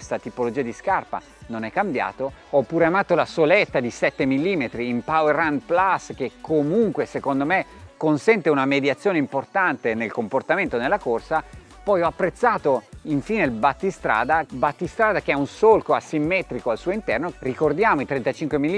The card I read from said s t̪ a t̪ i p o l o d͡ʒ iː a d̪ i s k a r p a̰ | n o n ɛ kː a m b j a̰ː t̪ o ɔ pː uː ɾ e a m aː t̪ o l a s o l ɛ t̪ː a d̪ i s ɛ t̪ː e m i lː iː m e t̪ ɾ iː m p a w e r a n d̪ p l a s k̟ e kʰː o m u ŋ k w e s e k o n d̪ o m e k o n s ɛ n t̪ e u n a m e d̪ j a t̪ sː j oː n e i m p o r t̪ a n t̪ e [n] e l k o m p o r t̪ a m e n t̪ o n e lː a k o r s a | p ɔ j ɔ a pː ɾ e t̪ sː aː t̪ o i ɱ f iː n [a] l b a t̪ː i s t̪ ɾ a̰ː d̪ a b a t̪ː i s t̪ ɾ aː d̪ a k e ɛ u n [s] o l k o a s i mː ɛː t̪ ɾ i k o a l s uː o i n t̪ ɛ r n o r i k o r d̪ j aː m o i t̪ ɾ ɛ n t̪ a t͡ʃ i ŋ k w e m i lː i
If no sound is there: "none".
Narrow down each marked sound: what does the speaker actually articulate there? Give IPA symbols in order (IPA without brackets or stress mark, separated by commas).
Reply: n, e, s